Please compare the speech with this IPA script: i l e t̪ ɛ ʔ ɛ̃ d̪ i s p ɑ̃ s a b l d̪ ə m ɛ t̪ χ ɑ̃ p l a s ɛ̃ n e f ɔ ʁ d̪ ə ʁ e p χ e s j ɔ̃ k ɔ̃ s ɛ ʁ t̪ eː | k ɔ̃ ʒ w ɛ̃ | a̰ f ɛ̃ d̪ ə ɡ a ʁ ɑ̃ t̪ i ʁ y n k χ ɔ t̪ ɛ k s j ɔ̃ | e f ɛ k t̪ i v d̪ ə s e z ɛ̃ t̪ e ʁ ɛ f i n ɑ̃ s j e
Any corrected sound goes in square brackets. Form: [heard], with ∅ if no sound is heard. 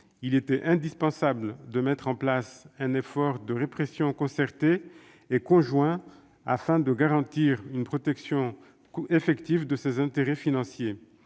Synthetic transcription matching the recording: i l e t̪ ɛ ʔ ɛ̃ d̪ i s p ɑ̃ s a b l d̪ ə m ɛ t̪ χ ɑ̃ p l a s ɛ̃ n e f ɔ ʁ d̪ ə ʁ e p χ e s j ɔ̃ k ɔ̃ s ɛ ʁ t̪ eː | k ɔ̃ ʒ w ɛ̃ | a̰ f ɛ̃ d̪ ə ɡ a ʁ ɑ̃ t̪ i ʁ y n [p] χ ɔ t̪ ɛ k s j ɔ̃ | e f ɛ k t̪ i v d̪ ə s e z ɛ̃ t̪ e ʁ ɛ f i n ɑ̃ s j e

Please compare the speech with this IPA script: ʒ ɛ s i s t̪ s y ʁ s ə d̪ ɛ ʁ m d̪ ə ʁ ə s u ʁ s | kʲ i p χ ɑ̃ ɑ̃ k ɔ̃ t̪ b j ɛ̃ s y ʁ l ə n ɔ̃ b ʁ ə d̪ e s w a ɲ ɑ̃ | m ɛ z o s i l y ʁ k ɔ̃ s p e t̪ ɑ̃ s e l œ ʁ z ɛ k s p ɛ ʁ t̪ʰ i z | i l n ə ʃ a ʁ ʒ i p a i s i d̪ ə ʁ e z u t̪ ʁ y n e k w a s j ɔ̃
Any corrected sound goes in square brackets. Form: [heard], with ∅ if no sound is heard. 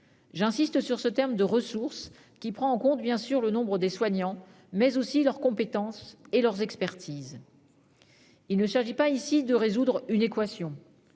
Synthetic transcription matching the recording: ʒ [ɛ̃] s i s t̪ s y ʁ s ə [t̪] ɛ ʁ m d̪ ə ʁ ə s u ʁ s | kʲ i p χ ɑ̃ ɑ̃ k ɔ̃ t̪ b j ɛ̃ s y ʁ l ə n ɔ̃ b ʁ ə d̪ e s w a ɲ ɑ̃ | m ɛ z o s i l [œ] ʁ k ɔ̃ [∅] p e t̪ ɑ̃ s e l œ ʁ z ɛ k s p ɛ ʁ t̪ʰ i z | i l n ə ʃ a ʁ ʒ i p a i s i d̪ ə ʁ e z u [d̪] ʁ y n e k w a s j ɔ̃

